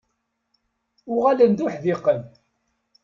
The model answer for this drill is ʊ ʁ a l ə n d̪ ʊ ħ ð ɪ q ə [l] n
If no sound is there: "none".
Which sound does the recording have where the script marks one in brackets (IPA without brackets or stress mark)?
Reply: none